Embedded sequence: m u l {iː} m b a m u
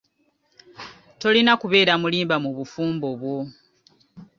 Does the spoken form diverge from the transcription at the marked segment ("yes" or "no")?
no